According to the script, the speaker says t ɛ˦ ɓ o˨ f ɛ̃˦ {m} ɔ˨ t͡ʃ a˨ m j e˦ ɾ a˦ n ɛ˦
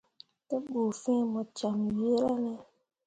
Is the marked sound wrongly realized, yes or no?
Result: no